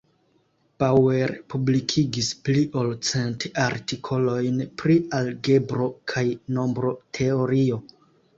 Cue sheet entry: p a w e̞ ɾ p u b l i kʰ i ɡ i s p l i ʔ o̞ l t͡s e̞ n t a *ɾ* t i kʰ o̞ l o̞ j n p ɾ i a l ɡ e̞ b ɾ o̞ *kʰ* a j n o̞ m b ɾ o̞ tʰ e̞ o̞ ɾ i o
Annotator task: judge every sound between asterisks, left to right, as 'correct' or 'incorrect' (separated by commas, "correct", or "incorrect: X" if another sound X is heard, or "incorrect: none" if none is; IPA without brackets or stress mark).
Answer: correct, correct